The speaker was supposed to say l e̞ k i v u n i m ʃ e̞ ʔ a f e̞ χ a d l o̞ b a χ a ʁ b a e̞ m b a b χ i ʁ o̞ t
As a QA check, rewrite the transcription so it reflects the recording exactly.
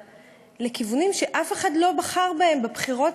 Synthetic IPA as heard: l e̞ k i v u n i m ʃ e̞ ʔ a f e̞ χ a d l o̞ b a χ a ʁ b a e̞ m b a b χ i ʁ o̞ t